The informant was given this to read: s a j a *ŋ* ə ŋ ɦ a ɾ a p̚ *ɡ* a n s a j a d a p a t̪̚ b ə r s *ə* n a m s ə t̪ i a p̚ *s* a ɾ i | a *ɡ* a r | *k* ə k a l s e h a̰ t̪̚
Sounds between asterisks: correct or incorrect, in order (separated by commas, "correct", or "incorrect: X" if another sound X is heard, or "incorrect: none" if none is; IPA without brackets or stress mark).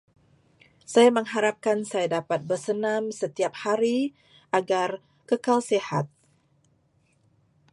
incorrect: m, incorrect: k, correct, incorrect: h, correct, correct